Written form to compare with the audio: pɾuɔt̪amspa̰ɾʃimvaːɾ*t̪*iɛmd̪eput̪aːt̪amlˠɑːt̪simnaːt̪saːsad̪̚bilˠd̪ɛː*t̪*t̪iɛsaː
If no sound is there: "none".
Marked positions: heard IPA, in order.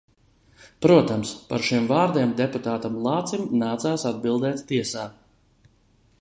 d̪, t̪

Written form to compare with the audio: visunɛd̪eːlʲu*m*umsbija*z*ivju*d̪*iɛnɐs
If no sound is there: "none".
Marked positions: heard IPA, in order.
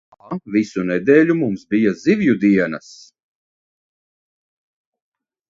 m, z, d̪

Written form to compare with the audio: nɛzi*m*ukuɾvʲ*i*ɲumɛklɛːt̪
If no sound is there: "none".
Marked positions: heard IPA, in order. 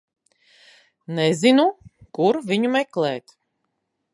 n, i

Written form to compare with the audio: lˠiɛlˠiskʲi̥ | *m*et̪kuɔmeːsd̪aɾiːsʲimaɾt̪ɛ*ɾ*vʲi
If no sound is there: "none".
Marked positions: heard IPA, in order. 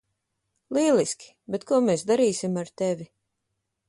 b, none

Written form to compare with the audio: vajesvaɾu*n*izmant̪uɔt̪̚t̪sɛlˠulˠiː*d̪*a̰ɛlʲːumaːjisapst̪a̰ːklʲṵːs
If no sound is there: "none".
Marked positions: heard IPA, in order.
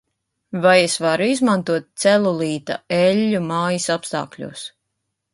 none, t̪

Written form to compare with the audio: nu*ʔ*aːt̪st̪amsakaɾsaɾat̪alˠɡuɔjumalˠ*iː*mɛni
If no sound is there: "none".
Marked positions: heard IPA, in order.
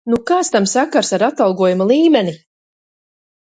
k, iː

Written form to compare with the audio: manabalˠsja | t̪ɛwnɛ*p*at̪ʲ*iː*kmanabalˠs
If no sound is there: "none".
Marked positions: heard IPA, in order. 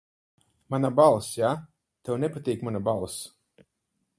p, iː

